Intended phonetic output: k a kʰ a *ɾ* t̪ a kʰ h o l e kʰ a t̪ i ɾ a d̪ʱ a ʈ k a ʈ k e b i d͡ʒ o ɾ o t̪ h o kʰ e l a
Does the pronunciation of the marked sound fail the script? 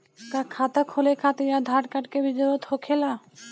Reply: yes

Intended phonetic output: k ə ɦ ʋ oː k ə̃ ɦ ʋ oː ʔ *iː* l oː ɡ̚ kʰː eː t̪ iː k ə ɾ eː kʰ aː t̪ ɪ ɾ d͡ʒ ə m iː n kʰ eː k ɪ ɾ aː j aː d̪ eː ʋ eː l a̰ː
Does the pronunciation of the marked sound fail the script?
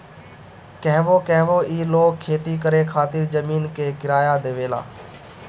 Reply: no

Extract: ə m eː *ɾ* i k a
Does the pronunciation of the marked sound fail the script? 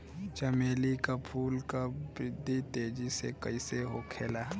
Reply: yes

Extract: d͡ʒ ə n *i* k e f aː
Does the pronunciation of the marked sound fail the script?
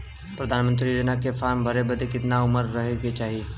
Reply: yes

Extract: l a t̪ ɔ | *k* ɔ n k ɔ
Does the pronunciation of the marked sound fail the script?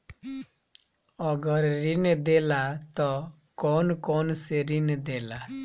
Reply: no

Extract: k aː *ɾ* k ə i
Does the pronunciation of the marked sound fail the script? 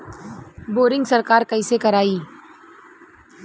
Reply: no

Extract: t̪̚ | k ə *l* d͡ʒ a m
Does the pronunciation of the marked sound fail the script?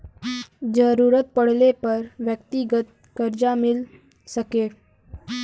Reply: yes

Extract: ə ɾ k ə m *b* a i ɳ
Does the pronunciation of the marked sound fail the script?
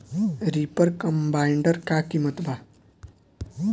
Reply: no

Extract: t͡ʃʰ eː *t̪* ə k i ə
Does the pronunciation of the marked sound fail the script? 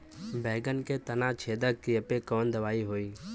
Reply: yes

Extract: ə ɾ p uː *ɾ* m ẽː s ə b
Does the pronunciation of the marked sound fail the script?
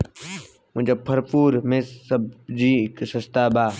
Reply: no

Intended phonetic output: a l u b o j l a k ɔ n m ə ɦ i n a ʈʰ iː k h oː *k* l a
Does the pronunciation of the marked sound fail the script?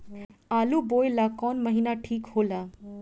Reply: yes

